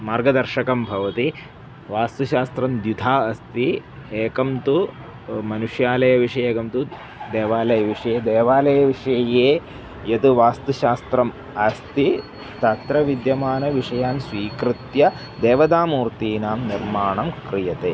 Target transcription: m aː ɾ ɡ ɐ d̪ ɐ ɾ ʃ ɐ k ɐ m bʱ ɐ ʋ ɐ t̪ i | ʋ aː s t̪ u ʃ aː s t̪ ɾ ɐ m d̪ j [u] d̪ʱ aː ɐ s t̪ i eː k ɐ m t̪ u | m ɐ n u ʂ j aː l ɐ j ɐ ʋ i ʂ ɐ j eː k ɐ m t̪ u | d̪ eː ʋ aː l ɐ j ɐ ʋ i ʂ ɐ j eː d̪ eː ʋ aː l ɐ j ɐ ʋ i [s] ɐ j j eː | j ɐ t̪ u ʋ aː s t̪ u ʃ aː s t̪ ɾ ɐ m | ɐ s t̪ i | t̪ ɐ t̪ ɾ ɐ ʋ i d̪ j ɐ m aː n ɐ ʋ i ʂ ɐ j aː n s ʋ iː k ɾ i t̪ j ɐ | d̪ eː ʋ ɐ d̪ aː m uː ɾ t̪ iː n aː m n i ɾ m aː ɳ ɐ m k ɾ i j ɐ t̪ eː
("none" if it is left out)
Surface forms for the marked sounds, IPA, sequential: u, ʂ

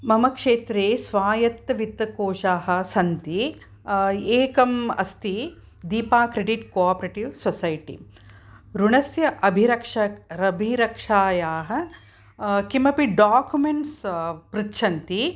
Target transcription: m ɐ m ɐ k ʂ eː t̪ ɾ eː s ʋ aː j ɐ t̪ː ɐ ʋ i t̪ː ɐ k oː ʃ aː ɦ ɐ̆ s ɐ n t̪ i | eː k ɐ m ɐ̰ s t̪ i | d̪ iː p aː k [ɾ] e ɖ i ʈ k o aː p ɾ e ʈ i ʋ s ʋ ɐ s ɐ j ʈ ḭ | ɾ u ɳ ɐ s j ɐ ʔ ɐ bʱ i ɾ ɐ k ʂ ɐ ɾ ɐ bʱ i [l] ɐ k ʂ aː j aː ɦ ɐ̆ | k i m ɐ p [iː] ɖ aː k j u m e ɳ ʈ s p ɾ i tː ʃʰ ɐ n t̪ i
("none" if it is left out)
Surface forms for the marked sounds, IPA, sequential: ɾ, ɾ, i

